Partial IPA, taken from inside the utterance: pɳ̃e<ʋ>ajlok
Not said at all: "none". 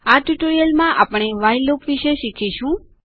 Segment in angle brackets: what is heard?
ʋ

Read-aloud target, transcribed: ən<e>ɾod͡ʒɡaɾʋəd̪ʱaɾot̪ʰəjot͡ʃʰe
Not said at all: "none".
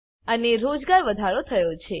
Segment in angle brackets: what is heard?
e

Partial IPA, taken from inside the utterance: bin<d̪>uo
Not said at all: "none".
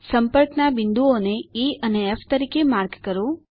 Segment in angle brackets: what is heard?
d̪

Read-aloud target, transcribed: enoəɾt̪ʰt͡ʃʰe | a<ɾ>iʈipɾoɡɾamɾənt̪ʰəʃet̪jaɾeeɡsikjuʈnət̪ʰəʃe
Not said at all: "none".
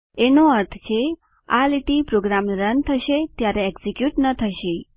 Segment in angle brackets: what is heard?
l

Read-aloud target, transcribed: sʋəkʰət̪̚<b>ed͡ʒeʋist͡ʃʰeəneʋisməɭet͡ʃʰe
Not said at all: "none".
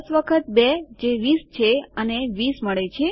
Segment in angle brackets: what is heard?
b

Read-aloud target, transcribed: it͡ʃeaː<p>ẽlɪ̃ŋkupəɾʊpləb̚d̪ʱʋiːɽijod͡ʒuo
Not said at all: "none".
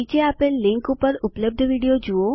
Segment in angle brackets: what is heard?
p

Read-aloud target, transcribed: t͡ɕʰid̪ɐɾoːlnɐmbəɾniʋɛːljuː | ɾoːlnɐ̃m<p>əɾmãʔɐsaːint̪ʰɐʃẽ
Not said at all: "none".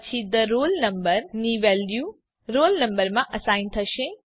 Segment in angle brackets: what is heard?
b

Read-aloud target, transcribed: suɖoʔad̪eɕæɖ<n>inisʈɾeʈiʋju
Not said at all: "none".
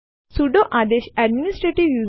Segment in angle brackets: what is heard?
m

